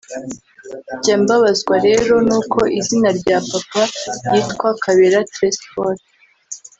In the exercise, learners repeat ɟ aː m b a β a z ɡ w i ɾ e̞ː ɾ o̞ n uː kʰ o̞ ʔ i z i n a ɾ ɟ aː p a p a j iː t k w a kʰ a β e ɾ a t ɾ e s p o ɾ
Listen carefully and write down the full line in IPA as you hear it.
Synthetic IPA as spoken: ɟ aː m b a β a z ɡ w a ɾ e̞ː ɾ o̞ n uː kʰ o̞ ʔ i z i n a ɾ ɟ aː p a p a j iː t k w a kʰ a β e ɾ a t ɾ e s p o ɾ